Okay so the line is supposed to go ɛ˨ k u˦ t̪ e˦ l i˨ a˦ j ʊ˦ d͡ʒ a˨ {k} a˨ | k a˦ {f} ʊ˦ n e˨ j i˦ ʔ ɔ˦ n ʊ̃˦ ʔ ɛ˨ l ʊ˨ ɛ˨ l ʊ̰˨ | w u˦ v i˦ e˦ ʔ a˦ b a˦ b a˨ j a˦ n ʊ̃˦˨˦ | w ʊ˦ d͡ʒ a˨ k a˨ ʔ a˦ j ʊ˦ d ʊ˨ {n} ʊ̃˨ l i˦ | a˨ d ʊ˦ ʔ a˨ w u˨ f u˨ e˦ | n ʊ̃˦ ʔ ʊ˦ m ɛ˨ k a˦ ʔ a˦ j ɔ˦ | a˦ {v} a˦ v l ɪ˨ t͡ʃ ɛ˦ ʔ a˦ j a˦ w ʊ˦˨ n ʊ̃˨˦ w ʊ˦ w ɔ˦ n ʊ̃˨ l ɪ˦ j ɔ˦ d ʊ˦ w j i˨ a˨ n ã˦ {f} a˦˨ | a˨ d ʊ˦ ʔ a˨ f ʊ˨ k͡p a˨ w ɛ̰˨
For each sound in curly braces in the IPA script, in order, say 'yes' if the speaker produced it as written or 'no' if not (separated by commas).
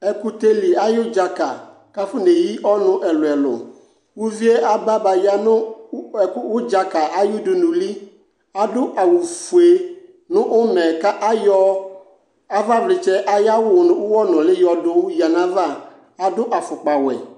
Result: yes, yes, yes, yes, no